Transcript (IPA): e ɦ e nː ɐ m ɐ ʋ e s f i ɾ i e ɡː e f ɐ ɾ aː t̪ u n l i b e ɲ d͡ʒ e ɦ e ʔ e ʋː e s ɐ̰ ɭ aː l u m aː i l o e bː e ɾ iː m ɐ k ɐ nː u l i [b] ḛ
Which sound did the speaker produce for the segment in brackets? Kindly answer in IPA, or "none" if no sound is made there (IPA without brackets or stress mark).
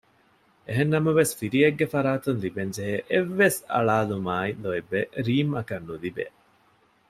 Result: b